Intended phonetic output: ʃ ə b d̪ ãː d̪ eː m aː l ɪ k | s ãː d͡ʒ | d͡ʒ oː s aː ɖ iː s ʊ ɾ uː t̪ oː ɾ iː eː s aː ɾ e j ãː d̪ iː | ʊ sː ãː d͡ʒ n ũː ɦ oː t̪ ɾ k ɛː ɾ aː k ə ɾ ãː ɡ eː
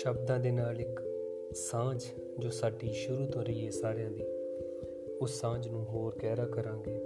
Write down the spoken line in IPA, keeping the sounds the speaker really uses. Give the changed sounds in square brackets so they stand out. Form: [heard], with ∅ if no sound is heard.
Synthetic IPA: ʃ ə b d̪ ãː d̪ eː [n] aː l ɪ k | s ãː d͡ʒ | d͡ʒ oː s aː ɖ iː [ʃ] ʊ ɾ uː t̪ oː ɾ iː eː s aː ɾ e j ãː d̪ iː | ʊ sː ãː d͡ʒ n ũː ɦ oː [∅] ɾ k ɛː ɾ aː k ə ɾ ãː ɡ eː